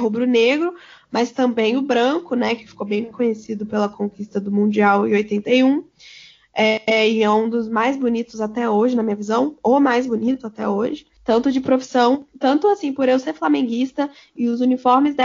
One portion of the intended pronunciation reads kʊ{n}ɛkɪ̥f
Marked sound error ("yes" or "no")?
no